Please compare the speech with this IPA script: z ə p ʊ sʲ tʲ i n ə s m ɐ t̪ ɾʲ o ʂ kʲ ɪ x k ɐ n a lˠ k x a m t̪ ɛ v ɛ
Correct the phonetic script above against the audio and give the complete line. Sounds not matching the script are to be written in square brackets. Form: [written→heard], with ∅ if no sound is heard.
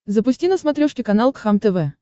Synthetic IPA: z ə p ʊ sʲ tʲ i n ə s m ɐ t̪ ɾʲ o ʂ kʲ ɪ [x→∅] k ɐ n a lˠ k x a m t̪ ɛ v ɛ